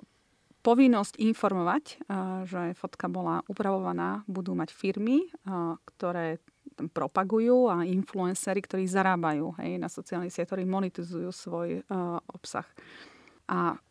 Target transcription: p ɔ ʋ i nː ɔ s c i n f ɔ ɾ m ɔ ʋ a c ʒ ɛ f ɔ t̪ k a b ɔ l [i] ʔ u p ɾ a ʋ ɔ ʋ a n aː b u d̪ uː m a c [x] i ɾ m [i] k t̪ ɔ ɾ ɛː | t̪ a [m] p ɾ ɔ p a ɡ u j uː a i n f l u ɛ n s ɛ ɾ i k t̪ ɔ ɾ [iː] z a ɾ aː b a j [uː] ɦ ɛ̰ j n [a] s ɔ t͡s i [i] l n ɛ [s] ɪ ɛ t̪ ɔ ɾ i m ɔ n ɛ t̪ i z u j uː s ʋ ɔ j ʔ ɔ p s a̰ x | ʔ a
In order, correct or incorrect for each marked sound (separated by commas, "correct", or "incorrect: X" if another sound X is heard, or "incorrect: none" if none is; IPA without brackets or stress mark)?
incorrect: a, incorrect: f, correct, correct, correct, correct, correct, incorrect: a, correct